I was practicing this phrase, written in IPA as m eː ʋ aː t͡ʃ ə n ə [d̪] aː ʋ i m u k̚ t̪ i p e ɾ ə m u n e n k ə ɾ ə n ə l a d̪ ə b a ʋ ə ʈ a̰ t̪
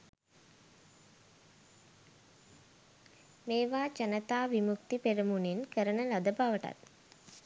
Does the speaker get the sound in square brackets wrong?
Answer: yes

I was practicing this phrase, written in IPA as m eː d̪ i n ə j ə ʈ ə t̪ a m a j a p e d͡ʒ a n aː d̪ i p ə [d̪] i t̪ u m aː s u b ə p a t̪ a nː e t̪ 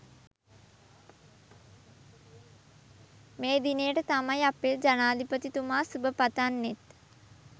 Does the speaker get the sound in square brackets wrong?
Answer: yes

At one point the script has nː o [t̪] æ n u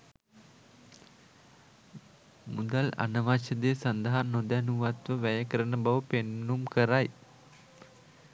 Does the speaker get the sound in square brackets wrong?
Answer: yes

